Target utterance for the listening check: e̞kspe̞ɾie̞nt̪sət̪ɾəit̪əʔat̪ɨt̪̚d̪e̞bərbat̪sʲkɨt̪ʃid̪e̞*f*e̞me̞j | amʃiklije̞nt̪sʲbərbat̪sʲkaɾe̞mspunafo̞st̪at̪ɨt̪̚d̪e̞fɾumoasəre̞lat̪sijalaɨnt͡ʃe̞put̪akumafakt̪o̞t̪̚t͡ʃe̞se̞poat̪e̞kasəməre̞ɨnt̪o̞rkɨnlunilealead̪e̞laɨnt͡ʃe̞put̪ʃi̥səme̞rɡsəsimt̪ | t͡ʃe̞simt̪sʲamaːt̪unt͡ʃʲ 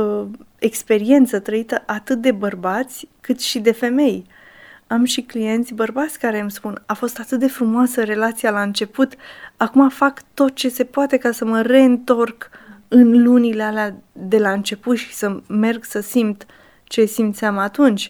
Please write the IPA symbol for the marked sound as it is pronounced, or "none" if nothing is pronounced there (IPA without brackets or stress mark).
f